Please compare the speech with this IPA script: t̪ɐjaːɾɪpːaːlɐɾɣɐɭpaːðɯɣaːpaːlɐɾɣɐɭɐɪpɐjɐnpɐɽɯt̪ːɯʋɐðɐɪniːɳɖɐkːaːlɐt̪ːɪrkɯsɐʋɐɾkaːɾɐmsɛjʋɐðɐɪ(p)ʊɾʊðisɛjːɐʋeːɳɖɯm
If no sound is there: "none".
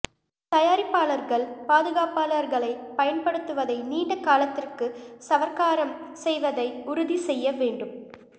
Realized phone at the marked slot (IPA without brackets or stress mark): none